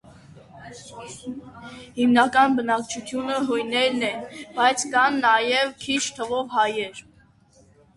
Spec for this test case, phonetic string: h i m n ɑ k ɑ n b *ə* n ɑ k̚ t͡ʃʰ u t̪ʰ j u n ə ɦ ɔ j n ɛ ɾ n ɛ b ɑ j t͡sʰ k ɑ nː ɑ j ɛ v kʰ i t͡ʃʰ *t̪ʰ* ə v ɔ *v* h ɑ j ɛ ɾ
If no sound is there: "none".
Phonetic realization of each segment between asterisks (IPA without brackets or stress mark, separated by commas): ə, t̪ʰ, v